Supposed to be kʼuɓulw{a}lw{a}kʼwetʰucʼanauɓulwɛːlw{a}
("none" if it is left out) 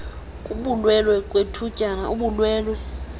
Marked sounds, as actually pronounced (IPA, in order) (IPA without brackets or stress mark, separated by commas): ɛ, ɛ, ɛ